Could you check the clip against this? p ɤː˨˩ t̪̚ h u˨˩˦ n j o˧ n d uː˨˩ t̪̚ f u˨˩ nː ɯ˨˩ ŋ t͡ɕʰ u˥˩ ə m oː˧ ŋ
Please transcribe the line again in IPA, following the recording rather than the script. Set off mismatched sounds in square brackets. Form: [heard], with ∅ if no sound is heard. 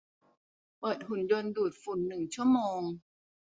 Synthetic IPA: p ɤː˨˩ t̪̚ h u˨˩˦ n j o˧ n d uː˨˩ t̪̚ f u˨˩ nː ɯ˨˩ ŋ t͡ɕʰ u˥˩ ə m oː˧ ŋ

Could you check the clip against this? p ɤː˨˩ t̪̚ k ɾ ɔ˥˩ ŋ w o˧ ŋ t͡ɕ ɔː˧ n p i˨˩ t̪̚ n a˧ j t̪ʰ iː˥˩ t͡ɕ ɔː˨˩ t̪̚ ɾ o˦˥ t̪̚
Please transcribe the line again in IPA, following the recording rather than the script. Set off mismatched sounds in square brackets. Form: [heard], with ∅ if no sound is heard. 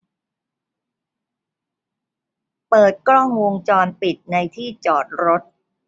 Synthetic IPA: p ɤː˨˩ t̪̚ k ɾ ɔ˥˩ ŋ w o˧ ŋ t͡ɕ ɔː˧ n p i˨˩ t̪̚ n a˧ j t̪ʰ iː˥˩ t͡ɕ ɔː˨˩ t̪̚ ɾ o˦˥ t̪̚

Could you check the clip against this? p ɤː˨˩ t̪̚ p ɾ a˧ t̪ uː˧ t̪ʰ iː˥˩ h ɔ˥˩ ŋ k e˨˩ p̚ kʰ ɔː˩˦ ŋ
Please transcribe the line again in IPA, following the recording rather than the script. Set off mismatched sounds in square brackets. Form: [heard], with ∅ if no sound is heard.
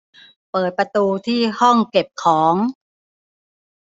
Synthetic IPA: p ɤː˨˩ t̪̚ p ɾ a˧ t̪ uː˧ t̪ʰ iː˥˩ h ɔ˥˩ ŋ k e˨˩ p̚ kʰ ɔː˩˦ ŋ

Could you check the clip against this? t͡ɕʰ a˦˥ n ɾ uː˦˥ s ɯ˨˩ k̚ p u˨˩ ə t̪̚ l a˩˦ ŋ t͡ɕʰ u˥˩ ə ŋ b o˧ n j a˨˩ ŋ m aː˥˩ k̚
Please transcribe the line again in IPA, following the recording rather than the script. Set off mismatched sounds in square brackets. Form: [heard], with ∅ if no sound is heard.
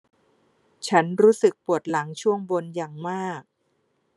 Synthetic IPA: t͡ɕʰ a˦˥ n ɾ uː˦˥ s ɯ˨˩ k̚ p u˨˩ ə t̪̚ l a˩˦ ŋ t͡ɕʰ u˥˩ ə ŋ b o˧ n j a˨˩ ŋ m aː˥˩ k̚

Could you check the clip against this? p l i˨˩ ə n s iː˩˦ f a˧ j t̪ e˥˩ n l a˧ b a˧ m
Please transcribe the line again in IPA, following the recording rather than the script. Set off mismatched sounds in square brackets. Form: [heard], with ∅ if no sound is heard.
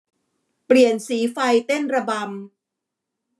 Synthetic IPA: p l i˨˩ ə n s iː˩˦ f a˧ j t̪ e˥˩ n [ɾ] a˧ b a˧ m

